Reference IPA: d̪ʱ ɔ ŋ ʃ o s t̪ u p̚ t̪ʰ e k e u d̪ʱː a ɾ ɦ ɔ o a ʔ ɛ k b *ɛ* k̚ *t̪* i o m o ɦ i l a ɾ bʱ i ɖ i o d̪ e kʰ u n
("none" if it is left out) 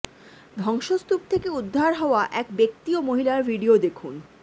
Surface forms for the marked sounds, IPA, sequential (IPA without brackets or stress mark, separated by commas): e, t̪